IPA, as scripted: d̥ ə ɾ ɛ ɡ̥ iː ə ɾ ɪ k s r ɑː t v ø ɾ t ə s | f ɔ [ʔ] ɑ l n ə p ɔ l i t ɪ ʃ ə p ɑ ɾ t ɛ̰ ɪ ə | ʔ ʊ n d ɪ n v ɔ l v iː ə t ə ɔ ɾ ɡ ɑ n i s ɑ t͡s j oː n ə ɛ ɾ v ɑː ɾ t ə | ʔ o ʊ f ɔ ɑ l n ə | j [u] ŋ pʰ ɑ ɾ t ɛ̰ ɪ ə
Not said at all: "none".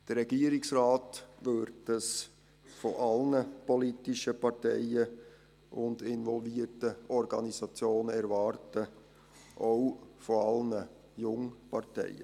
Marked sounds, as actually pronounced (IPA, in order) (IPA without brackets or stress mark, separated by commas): ʔ, ʊ